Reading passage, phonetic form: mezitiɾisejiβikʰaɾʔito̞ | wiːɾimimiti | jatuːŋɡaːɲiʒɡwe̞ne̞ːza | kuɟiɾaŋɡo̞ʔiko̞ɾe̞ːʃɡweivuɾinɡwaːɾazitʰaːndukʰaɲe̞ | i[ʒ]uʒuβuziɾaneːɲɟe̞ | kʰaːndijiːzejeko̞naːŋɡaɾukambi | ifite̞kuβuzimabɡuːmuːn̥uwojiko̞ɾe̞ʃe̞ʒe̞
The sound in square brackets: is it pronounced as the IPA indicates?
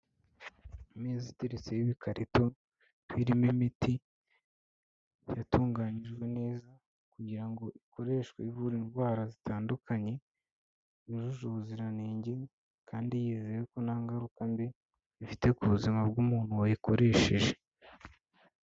yes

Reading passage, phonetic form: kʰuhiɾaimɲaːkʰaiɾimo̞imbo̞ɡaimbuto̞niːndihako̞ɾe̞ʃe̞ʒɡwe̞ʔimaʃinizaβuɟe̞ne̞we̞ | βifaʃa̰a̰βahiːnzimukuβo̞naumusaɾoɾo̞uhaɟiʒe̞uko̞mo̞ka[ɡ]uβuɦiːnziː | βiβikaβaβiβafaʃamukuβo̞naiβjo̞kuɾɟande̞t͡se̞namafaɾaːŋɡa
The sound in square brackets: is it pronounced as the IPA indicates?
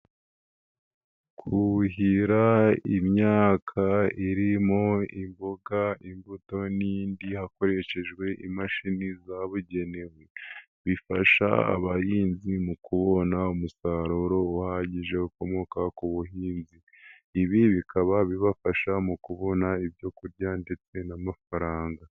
no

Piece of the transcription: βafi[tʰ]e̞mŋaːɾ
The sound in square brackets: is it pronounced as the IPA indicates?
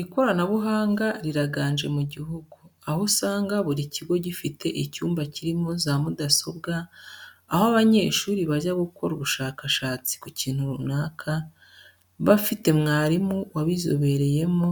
no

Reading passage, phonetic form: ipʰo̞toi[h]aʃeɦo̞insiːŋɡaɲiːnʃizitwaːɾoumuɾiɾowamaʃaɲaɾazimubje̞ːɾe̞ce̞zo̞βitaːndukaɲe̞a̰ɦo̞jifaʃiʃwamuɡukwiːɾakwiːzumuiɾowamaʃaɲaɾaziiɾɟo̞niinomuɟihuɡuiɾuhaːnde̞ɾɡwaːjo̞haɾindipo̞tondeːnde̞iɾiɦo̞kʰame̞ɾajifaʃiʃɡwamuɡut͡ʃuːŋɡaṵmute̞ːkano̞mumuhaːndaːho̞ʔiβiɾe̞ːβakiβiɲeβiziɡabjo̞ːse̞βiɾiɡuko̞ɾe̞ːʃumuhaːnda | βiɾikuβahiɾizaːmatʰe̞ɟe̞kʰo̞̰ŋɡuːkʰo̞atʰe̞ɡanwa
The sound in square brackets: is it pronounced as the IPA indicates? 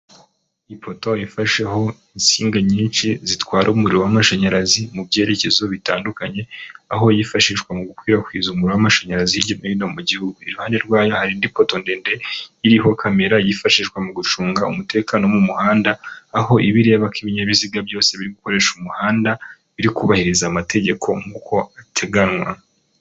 no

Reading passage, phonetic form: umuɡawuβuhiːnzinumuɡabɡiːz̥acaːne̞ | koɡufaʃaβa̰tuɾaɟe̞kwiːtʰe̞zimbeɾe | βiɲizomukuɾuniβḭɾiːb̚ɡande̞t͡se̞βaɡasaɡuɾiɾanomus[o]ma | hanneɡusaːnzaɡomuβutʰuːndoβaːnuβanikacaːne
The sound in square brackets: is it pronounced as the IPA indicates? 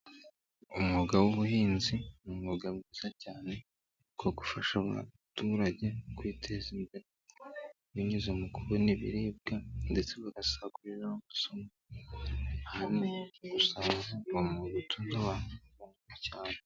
yes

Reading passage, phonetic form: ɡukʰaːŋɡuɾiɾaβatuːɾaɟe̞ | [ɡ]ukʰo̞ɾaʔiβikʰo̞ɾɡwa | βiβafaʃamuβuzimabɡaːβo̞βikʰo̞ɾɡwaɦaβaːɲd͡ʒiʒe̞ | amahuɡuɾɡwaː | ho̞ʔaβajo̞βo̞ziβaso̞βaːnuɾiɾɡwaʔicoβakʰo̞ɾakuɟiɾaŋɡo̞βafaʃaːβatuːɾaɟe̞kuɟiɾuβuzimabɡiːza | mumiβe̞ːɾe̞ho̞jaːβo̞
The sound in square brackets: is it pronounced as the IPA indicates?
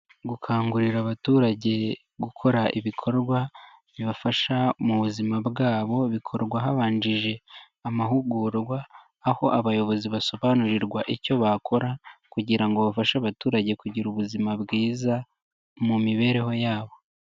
yes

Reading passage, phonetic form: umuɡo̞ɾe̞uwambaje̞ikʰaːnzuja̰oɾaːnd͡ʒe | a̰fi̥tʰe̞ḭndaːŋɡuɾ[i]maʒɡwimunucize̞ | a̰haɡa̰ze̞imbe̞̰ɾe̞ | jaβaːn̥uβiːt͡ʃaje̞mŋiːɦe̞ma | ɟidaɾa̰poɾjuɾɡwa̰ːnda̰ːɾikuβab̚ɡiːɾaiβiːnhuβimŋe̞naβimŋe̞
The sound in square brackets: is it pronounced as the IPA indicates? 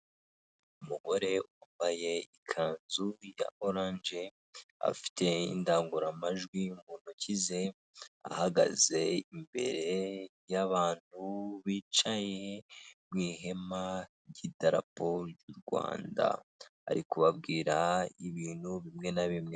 no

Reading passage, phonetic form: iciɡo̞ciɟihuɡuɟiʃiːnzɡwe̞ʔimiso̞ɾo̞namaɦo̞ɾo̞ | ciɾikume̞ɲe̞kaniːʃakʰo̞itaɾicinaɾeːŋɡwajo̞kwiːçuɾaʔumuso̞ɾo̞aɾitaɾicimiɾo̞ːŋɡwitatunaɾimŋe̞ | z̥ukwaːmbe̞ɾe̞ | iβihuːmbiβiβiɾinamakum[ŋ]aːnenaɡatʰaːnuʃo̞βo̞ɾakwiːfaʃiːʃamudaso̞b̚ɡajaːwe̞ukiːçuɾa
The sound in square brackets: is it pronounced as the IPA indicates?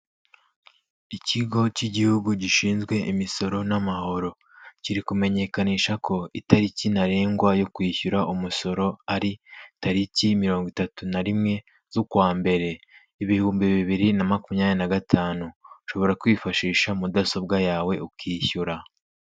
no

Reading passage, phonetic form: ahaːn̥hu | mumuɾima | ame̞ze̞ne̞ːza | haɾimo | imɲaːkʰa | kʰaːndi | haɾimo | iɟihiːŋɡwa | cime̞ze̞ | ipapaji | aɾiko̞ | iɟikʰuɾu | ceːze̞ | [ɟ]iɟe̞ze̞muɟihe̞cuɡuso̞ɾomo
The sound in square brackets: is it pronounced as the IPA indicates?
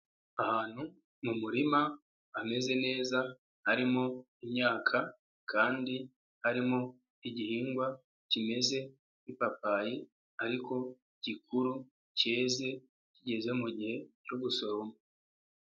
no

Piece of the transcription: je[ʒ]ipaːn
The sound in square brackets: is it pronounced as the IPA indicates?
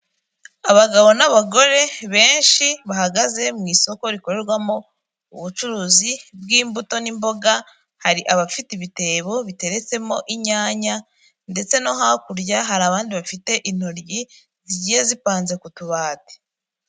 no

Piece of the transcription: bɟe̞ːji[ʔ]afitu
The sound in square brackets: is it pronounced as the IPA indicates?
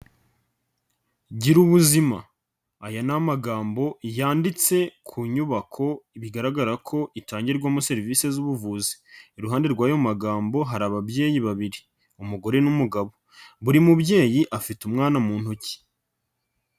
yes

